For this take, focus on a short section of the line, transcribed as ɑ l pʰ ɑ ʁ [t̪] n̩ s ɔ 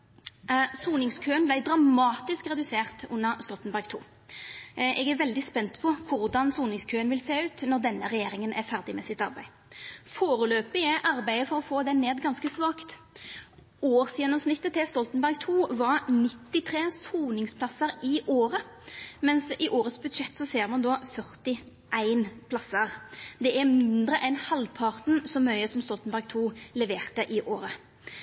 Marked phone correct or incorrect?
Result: correct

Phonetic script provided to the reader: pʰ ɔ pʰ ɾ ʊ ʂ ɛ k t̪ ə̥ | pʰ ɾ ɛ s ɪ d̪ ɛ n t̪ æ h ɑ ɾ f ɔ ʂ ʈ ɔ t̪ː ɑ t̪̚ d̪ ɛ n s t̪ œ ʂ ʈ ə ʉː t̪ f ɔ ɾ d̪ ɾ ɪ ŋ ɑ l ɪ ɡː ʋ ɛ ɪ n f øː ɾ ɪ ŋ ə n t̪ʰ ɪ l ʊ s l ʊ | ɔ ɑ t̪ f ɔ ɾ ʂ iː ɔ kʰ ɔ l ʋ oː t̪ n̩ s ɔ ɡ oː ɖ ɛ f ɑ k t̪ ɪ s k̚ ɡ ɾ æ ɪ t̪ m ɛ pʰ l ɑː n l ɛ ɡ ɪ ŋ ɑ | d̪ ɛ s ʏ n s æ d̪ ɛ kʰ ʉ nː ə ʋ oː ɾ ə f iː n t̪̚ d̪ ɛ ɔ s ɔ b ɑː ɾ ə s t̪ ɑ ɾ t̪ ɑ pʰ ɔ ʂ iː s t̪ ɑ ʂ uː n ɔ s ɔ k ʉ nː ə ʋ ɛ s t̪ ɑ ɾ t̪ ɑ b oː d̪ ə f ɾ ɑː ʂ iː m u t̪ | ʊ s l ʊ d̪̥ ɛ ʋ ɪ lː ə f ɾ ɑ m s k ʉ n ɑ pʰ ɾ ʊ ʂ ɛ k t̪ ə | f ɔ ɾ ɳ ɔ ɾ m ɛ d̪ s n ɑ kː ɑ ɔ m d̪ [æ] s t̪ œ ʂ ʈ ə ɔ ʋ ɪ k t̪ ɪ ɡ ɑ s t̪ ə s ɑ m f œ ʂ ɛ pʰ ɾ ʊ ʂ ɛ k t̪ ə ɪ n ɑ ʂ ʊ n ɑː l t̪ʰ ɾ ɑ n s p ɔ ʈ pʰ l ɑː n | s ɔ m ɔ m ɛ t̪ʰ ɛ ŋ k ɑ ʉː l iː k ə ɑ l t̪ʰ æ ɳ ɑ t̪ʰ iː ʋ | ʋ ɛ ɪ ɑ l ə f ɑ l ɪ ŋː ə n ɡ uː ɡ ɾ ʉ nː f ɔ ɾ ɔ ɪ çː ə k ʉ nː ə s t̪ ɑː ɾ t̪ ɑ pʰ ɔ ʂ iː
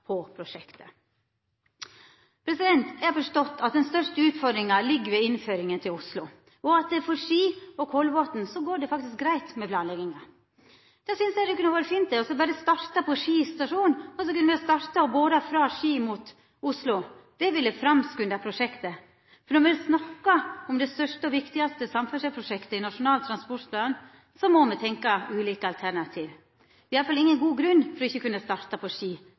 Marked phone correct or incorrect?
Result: incorrect: ɛ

